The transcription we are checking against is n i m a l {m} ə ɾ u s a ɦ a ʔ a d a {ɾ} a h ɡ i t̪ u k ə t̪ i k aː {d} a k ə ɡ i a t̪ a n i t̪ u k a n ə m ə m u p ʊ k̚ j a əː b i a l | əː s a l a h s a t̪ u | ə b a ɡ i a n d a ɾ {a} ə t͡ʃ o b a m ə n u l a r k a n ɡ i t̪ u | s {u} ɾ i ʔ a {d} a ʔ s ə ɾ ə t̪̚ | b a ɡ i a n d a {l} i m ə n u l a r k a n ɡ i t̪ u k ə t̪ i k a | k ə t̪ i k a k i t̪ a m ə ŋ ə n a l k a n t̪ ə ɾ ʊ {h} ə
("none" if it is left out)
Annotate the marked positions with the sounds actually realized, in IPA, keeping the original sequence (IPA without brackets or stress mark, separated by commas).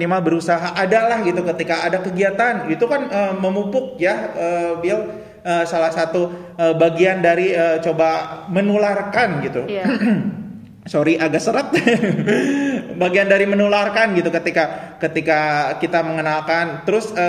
b, l, d, i, o, ɡ, ɾ, s